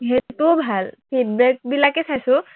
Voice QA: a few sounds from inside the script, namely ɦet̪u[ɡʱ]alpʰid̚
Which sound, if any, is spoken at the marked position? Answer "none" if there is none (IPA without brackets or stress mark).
bʱ